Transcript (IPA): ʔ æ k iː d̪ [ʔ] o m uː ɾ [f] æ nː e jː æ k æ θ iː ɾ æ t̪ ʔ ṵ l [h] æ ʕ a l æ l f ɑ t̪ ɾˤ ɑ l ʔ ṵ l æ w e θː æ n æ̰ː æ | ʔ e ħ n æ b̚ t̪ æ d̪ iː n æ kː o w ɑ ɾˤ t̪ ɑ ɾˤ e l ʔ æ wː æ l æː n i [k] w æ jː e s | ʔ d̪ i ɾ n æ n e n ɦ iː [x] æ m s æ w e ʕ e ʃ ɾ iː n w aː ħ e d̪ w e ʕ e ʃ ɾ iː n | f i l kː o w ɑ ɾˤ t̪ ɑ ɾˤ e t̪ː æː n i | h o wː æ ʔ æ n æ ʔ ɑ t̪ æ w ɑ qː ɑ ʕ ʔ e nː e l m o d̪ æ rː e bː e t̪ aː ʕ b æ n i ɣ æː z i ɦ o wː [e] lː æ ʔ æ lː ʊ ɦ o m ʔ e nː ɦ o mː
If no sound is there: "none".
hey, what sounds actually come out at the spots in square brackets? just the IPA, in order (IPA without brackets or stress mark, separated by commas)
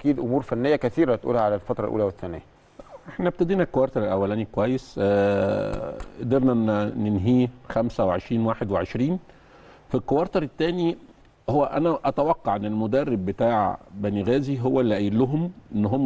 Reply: ʔ, f, h, k, x, æ